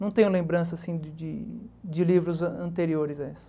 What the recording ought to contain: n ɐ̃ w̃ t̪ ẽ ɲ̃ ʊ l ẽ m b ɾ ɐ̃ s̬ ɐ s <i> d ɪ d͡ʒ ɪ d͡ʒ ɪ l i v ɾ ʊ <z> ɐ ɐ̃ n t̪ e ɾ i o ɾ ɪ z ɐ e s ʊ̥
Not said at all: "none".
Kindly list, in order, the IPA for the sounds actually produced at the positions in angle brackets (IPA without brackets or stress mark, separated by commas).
ĩ, z